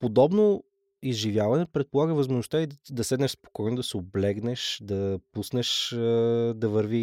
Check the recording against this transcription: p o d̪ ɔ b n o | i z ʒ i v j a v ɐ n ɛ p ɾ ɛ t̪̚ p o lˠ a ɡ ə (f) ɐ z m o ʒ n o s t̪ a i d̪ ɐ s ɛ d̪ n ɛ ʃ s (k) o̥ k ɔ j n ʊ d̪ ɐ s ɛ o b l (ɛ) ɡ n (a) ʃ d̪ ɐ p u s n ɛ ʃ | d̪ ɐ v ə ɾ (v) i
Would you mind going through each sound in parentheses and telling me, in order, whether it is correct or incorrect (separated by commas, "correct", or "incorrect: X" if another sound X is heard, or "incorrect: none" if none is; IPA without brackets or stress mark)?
incorrect: v, incorrect: p, correct, incorrect: ɛ, correct